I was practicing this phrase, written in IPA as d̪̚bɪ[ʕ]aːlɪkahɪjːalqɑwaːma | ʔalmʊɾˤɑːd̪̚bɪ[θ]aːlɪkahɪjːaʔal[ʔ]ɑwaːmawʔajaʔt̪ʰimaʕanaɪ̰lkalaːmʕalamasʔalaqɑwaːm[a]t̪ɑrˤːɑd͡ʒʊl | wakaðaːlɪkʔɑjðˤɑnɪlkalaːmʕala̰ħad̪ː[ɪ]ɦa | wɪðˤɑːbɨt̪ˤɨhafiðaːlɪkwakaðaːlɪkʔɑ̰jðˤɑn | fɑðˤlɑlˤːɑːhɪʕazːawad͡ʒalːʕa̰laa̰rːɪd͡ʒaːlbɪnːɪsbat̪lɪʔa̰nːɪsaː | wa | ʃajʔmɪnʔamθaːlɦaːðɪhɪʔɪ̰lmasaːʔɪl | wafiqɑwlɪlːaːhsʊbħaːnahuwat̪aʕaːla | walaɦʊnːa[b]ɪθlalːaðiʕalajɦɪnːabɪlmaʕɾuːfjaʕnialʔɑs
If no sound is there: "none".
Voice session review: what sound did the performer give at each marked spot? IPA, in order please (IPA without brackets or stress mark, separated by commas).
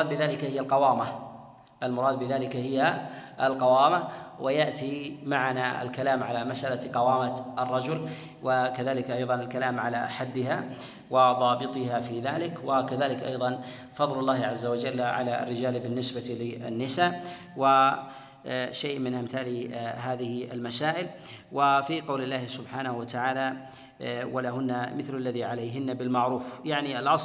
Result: ð, ð, q, a, ɪ, m